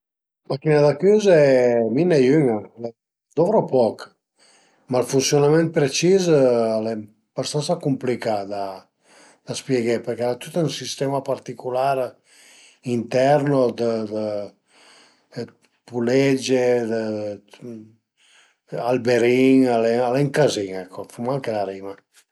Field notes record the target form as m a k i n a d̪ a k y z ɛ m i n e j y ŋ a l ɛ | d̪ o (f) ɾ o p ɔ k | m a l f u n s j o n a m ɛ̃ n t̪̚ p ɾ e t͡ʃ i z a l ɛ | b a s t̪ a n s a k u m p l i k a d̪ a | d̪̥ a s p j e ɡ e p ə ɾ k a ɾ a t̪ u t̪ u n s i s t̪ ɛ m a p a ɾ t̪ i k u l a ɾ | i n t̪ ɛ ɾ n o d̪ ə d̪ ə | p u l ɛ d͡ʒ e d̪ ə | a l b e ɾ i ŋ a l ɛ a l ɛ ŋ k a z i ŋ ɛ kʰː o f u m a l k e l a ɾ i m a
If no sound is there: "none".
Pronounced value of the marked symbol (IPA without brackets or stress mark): v